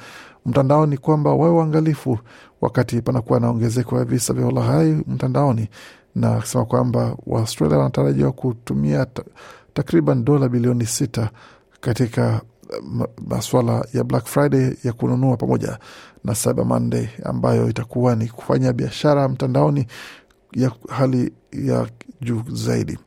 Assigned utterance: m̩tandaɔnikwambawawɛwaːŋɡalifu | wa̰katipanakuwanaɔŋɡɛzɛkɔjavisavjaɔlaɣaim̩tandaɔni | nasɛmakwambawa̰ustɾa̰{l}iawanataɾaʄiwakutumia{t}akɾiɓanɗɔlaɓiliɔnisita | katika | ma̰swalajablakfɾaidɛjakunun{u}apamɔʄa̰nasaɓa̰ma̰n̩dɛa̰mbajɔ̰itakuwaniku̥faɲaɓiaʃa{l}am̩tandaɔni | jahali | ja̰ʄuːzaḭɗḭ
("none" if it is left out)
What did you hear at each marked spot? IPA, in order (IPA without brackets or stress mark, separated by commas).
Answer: l, t, u, ɾ